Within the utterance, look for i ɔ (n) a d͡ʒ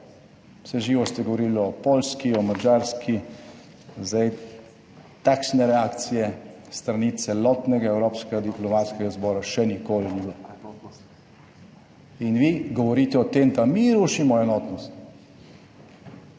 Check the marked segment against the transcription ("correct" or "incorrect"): incorrect